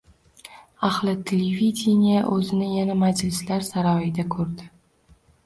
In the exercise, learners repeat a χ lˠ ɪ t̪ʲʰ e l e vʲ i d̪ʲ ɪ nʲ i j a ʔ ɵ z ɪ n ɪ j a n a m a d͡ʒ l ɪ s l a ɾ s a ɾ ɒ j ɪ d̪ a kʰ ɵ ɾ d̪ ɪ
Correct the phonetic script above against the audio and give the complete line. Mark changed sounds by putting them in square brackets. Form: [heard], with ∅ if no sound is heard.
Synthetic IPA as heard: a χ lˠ ɪ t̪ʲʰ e l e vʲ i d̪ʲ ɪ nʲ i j a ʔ ɵ z ɪ n ɪ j a n a m a d͡ʒ l ɪ s l a ɾ s a ɾ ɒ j ɪ d̪ a kʰ ɵ ɾ d̪ ɪ